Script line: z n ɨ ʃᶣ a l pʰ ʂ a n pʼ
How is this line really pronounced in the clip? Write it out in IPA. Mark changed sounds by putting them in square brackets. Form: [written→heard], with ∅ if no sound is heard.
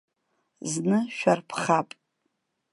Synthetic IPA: z n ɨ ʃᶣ a [l→r] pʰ [ʂ→χ] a [n→∅] pʼ